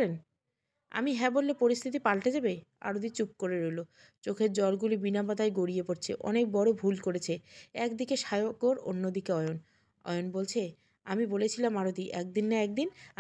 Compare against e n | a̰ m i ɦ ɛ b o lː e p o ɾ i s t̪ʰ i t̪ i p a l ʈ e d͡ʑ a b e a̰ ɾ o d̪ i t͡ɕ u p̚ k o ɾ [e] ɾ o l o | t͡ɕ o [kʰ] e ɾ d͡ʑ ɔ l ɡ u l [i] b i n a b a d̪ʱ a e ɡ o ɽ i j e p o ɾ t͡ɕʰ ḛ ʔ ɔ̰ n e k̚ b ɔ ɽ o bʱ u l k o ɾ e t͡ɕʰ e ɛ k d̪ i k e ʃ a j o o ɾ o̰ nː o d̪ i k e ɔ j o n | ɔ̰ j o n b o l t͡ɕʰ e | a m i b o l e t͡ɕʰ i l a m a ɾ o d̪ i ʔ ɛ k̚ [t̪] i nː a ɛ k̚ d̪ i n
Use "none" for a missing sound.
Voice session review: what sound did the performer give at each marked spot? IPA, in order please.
e, kʰ, i, d̪

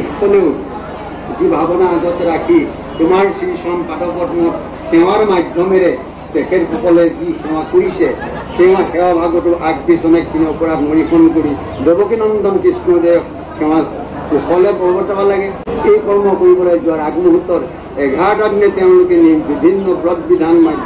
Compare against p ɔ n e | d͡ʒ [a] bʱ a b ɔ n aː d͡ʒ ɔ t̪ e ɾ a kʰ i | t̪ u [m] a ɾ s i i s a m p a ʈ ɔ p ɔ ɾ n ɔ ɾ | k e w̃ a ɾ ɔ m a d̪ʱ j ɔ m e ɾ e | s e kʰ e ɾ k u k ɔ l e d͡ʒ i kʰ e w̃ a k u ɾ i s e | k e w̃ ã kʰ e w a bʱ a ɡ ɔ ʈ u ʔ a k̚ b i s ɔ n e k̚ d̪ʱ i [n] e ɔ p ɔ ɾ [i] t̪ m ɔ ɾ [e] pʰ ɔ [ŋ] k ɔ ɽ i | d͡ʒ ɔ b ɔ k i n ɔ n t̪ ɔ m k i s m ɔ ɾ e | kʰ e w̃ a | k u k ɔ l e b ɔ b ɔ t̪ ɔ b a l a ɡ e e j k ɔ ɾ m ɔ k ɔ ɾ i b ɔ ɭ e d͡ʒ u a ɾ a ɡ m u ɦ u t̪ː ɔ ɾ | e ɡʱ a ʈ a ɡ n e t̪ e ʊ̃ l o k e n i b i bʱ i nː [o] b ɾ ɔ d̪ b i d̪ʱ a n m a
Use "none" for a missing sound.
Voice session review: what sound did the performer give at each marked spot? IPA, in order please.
i, m, n, a, i, n, ɔ

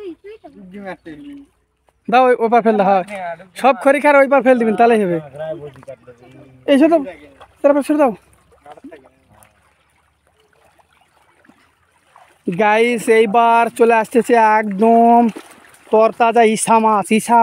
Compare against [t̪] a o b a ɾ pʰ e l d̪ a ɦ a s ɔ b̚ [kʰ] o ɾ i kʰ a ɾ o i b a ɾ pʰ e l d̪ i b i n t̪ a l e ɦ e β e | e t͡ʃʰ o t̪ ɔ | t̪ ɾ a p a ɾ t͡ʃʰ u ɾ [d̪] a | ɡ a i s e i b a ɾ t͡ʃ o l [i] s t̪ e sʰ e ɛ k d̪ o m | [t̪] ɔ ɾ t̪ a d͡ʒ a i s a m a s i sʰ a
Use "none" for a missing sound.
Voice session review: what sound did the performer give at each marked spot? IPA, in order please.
d̪, kʰ, d̪, a, t̪

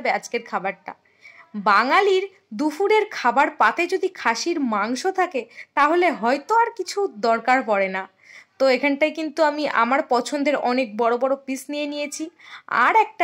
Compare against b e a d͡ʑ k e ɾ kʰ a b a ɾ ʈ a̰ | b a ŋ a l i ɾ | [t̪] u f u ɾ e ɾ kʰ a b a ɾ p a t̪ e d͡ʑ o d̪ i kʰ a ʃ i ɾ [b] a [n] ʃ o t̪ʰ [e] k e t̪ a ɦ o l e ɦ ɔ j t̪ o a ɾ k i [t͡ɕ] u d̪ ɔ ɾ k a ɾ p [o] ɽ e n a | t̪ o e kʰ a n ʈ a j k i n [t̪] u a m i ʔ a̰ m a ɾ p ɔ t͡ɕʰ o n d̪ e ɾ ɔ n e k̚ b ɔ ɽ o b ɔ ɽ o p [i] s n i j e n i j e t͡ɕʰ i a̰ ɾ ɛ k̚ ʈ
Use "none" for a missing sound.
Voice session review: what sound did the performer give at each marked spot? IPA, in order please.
d̪, m, ŋ, a, t͡ɕʰ, ɔ, t̪, i

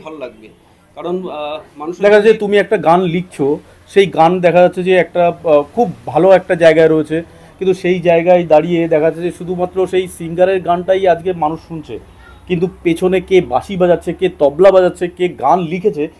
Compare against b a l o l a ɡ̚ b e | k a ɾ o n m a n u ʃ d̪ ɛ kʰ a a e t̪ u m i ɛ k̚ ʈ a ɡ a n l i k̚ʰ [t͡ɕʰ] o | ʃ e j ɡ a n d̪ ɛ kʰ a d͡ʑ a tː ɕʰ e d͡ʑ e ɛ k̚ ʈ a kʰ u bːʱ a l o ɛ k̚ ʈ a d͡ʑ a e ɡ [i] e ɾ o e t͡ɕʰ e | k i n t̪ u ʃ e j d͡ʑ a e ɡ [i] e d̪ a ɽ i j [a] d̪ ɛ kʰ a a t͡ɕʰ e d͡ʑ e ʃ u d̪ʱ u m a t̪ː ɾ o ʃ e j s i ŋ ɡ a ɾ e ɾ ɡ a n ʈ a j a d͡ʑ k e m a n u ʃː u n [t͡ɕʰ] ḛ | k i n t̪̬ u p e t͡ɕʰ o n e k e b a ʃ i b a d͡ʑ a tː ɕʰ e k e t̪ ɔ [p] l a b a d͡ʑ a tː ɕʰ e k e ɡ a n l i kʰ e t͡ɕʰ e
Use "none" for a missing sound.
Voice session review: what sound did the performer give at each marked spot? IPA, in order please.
t͡ɕʰ, a, a, e, t͡ɕʰ, b

